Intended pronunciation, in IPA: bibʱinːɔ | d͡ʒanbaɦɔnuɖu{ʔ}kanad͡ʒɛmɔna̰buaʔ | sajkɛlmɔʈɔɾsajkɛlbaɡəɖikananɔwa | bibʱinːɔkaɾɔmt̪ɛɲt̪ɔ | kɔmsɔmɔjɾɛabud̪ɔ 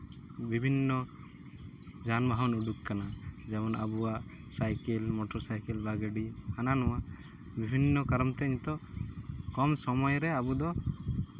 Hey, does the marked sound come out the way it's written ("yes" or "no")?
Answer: no